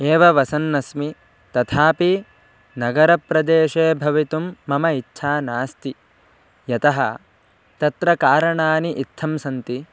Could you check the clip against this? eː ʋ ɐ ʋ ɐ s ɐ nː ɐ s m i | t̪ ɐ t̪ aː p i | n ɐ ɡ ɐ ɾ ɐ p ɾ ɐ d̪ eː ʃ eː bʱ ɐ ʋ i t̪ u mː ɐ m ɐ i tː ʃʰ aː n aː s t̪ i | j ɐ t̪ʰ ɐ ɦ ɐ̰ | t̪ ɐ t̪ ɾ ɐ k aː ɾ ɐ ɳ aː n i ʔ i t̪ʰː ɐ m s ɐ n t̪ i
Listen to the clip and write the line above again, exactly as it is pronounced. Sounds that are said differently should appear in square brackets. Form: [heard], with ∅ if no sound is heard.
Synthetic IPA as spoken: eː ʋ ɐ ʋ ɐ s ɐ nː ɐ s m i | t̪ ɐ [t̪ʰ] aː p i | n ɐ ɡ ɐ ɾ ɐ p ɾ ɐ d̪ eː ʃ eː bʱ ɐ ʋ i t̪ u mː ɐ m ɐ i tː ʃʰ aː n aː s t̪ i | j ɐ [t̪] ɐ ɦ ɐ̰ | t̪ ɐ t̪ ɾ ɐ k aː ɾ ɐ ɳ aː n i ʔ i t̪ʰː ɐ m s ɐ n t̪ i